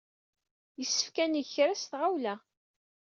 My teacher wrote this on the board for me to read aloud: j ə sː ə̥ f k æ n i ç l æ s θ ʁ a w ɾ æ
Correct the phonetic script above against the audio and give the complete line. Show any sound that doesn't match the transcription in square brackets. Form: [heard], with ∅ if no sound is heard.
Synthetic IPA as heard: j ə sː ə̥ f k æ n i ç [ɾ] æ s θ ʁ a w [l] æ